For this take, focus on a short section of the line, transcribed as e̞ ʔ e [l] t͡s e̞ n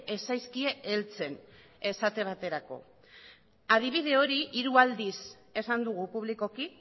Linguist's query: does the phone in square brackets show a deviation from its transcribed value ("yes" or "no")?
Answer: no